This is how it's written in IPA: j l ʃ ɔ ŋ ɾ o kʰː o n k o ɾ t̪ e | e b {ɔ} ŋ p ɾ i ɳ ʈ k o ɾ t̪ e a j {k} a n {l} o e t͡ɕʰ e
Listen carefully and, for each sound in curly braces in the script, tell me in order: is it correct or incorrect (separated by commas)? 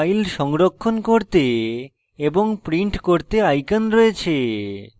incorrect, correct, incorrect